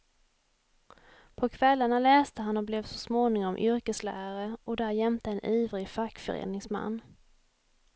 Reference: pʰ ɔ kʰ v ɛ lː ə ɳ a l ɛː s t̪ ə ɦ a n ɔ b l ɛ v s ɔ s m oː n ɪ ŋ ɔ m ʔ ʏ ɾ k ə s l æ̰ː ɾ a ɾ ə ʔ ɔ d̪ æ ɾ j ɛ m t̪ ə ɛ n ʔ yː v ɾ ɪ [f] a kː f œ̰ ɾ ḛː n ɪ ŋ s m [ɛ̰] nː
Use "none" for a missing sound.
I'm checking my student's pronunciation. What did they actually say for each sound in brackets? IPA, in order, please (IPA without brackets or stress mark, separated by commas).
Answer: f, a̰